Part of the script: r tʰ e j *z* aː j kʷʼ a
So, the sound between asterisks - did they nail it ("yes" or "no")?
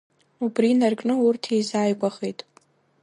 yes